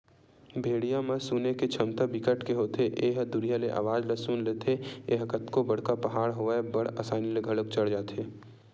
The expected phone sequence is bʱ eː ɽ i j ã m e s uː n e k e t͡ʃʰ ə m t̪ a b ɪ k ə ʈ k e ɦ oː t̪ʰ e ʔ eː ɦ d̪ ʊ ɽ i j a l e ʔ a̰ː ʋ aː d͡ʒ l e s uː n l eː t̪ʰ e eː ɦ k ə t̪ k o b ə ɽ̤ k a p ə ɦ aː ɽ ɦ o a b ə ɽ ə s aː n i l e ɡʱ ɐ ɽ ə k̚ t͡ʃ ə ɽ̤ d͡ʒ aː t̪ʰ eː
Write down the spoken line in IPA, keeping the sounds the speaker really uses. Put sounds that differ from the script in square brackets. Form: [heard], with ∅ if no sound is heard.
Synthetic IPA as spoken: bʱ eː ɽ i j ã m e s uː n e k e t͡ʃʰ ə m t̪ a b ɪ k ə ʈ k e ɦ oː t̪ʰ e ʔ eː ɦ d̪ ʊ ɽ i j a l e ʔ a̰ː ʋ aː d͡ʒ l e s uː n l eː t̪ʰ e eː ɦ k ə t̪ k o b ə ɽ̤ k a p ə ɦ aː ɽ ɦ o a b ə ɽ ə s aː n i l e ɡʱ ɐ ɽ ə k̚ t͡ʃ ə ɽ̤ d͡ʒ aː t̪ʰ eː